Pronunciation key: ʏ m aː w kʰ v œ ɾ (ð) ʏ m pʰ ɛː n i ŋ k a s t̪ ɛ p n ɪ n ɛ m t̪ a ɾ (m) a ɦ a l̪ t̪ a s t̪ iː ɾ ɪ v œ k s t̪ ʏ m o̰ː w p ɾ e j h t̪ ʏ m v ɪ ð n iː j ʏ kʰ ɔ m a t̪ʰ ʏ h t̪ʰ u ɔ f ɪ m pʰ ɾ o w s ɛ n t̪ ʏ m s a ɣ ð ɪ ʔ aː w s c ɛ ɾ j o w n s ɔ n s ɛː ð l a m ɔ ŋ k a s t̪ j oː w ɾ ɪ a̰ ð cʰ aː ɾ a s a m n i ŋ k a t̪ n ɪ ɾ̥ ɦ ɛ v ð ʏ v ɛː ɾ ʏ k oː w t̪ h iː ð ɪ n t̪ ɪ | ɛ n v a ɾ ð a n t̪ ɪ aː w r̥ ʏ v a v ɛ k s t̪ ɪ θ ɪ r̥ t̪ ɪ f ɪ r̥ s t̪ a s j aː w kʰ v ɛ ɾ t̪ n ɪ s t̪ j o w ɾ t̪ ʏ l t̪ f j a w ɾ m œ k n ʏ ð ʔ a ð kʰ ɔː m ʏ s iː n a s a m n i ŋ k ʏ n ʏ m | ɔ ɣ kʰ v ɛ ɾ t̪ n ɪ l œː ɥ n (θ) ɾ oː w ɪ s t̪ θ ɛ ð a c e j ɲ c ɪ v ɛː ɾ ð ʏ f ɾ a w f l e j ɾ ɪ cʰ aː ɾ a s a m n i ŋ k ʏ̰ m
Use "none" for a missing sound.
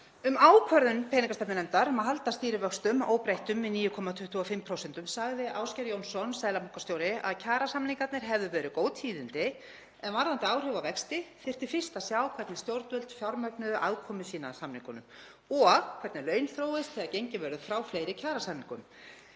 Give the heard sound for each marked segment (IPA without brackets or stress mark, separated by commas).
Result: ð, m, θ